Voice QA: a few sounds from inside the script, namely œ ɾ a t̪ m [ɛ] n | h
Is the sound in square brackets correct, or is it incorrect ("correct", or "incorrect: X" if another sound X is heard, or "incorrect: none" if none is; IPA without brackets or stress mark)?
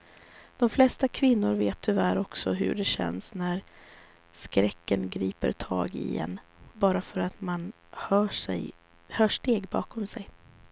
incorrect: a